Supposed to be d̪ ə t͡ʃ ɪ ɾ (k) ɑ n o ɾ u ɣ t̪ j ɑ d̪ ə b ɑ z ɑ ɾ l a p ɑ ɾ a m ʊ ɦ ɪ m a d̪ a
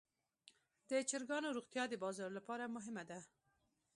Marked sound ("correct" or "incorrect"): incorrect